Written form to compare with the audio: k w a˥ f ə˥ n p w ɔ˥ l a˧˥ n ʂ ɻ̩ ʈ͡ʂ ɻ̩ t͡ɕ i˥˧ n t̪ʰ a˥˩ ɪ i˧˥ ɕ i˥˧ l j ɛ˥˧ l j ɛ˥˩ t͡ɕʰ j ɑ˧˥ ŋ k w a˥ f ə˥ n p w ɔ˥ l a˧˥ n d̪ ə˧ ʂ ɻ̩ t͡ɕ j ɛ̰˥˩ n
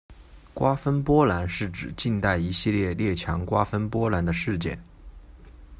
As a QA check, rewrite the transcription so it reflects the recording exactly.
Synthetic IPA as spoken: k w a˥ f ə˥ n p w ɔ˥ l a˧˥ n ʂ ɻ̩ ʈ͡ʂ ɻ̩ t͡ɕ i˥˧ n t̪ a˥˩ ɪ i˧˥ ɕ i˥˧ l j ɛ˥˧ l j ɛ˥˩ t͡ɕʰ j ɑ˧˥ ŋ k w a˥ f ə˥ n p w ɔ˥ l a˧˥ n d̪ ə˧ ʂ ɻ̩ t͡ɕ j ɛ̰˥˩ n

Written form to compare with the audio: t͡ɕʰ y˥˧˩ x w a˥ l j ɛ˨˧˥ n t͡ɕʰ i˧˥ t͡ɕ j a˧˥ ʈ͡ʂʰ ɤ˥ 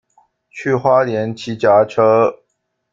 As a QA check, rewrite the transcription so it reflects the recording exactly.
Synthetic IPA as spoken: t͡ɕʰ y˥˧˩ x w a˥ l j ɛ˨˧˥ n t͡ɕʰ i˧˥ t͡ɕ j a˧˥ ʈ͡ʂʰ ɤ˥

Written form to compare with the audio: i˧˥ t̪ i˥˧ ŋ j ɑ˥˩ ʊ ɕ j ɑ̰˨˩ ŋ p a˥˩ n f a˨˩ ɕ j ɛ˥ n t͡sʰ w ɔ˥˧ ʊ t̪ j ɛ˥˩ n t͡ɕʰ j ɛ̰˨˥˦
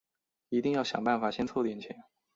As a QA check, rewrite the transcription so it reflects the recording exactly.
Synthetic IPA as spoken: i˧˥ t̪ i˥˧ ŋ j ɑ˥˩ ʊ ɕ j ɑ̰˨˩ ŋ p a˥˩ n f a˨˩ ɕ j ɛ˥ n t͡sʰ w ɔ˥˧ ʊ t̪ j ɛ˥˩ n t͡ɕʰ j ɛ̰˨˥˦

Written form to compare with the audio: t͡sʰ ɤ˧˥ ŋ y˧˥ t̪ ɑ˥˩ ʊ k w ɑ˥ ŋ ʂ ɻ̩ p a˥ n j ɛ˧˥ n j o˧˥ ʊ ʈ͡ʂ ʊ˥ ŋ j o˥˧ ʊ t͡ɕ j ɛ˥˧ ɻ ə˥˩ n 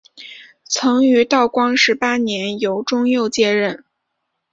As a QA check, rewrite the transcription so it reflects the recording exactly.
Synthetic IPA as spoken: t͡sʰ ɤ˧˥ ŋ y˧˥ t̪ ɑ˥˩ ʊ k w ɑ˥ ŋ ʂ ɻ̩ p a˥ n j ɛ˧˥ n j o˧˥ ʊ ʈ͡ʂ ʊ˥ ŋ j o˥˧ ʊ t͡ɕ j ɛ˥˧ ɻ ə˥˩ n

